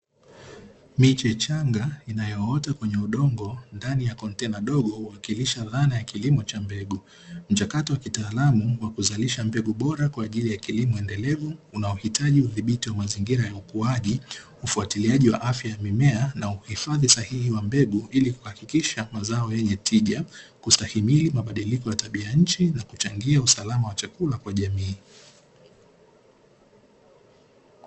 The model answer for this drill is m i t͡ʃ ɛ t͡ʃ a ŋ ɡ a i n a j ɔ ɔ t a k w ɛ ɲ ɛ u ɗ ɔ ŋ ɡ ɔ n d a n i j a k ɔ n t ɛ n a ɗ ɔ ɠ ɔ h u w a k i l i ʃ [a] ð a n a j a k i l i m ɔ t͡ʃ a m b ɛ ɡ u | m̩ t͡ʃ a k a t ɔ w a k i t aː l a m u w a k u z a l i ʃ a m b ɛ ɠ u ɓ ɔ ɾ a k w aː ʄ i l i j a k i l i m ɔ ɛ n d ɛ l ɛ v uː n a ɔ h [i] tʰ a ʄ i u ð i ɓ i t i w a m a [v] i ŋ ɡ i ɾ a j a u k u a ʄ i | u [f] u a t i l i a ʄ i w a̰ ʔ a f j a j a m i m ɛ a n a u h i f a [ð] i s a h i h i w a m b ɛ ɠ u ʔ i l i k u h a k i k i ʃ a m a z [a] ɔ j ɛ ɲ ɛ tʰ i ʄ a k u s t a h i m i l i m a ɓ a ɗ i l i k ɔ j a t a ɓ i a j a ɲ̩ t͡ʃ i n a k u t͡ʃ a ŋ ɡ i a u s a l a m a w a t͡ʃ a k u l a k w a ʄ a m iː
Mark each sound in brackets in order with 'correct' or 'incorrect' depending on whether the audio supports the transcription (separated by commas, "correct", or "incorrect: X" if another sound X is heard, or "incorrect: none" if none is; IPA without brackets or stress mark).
correct, correct, incorrect: z, correct, correct, correct